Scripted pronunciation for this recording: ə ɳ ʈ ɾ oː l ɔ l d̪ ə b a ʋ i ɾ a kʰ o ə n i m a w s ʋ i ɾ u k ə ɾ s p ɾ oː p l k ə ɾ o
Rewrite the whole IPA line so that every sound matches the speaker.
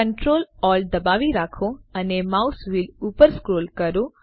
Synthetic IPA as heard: ə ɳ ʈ ɾ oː l ɔ l d̪ ə b a ʋ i ɾ a kʰ o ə n e m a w s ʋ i l u p ə ɾ s k ɾ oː l k ə ɾ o

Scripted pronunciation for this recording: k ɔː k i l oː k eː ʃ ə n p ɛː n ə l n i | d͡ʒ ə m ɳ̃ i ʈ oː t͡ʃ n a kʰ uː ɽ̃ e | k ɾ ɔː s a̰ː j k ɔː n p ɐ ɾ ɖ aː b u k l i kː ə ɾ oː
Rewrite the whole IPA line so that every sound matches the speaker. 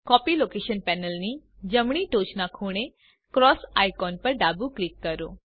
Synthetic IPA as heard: k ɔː p i l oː k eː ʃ ə n p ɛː n ə l n i | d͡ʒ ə m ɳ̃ i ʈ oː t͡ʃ n a kʰ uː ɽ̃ e | k ɾ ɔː s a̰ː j k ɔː n p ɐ ɾ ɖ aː b u k l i kː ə ɾ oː

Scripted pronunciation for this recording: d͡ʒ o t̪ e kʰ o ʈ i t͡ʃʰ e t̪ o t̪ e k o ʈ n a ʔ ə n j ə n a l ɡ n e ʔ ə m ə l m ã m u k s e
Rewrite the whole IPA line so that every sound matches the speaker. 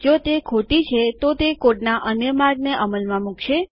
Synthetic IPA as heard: d͡ʒ o t̪ e kʰ o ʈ i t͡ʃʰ e t̪ o t̪ e k o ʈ n a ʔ ə n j ə m a ɾ ɡ n e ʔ ə m ə l m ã m u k ʃ e

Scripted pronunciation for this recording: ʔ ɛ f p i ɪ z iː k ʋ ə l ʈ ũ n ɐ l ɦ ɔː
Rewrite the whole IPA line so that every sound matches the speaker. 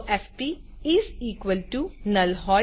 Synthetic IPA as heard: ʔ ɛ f p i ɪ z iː k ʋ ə l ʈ u n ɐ l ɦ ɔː

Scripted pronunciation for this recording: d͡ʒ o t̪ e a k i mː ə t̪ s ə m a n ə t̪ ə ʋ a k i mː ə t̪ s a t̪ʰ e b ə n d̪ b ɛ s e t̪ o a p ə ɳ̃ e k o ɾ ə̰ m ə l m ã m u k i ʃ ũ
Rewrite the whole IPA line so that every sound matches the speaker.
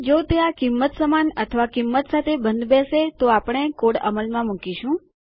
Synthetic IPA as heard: d͡ʒ o t̪ e a k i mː ə t̪ s ə m a n ə t̪ʰ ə ʋ a k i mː ə t̪ s a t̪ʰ e b ə n d̪ b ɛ s e t̪ o a p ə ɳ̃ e k o ɽ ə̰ m ə l m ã m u k i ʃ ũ

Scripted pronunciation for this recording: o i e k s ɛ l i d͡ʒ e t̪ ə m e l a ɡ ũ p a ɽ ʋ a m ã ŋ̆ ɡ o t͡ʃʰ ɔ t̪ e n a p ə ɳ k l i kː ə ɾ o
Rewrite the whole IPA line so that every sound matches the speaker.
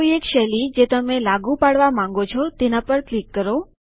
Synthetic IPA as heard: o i e k ʃ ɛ l i d͡ʒ e t̪ ə m e l a ɡ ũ p a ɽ ʋ a m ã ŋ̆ ɡ o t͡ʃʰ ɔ t̪ e n a p ə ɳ k l i kː ə ɾ o

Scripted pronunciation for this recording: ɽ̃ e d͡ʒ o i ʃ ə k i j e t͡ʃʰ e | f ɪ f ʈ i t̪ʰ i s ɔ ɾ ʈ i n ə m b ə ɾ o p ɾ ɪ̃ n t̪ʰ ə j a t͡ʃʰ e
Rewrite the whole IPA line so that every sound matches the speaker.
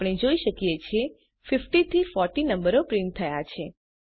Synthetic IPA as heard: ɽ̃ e d͡ʒ o i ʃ ə k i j e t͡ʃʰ e | f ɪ f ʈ i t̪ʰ i f ɔ ɾ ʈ i n ə m b ə ɾ o p ɾ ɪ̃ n t̪ʰ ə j a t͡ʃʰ e

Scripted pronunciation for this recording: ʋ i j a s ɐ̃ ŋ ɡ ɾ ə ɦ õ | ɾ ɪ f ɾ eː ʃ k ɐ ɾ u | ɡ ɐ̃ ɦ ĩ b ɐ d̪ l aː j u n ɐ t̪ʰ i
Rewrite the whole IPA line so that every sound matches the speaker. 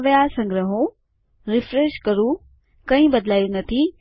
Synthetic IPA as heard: ʋ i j a s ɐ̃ ŋ ɡ ɾ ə ɦ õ | ɾ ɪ f ɾ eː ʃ k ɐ ɾ u | k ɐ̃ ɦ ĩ b ɐ d̪ l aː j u n ɐ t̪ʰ i

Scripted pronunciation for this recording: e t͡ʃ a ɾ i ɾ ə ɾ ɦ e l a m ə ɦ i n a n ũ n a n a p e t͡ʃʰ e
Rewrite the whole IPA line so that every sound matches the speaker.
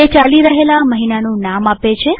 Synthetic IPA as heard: e t͡ʃ a l i ɾ ə ɦ e l a m ə ɦ i n a n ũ n a m a p e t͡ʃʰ e

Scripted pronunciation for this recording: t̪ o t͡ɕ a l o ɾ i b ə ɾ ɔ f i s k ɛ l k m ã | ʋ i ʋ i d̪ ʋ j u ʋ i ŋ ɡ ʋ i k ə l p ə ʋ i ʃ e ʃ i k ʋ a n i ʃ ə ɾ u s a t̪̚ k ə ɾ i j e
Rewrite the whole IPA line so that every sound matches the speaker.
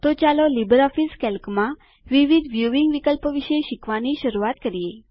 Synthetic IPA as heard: t̪ o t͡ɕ a l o l i b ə ɾ ɔ f i s k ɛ l k m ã | ʋ i ʋ i d̪ ʋ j u ʋ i ŋ ɡ ʋ i k ə l p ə ʋ i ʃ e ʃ i k ʋ a n i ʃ ə ɾ u a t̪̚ k ə ɾ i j e

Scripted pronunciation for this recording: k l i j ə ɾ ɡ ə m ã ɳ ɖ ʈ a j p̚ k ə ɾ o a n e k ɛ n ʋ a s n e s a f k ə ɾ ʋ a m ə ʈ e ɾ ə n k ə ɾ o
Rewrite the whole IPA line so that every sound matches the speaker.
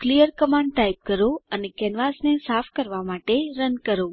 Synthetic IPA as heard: k l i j ə ɾ k ə m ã ɳ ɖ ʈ a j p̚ k ə ɾ o ə n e k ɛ n ʋ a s n e s a f k ə ɾ ʋ a m a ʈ e ɾ ə n k ə ɾ o

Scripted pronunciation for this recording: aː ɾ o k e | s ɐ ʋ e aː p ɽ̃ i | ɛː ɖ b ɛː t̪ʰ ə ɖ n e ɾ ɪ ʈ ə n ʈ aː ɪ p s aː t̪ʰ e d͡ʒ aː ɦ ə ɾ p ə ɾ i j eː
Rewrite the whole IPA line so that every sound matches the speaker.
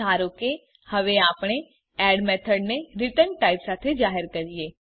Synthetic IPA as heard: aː ɾ o k e | h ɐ ʋ e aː p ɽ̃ e | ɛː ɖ m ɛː t̪ʰ ə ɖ n e ɾ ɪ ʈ ə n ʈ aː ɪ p s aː t̪ʰ e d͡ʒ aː ɦ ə ɾ k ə ɾ i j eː

